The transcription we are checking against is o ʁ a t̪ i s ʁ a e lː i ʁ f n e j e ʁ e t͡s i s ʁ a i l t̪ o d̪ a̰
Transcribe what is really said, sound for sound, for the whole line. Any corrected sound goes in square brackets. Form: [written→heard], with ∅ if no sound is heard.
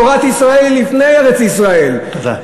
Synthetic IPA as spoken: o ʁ a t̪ i s ʁ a e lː i [ʁ→∅] f n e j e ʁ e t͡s i s ʁ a [i→e] l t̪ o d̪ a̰